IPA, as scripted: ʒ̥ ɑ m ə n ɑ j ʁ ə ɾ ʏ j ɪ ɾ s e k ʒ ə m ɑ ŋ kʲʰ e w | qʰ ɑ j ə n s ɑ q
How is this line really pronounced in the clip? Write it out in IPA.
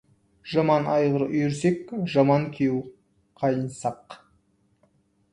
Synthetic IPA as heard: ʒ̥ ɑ m ɑ n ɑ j ʁ ə ɾ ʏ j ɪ ɾ s e k ʒ ɑ m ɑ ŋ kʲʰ e w | qʰ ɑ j ə n s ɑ q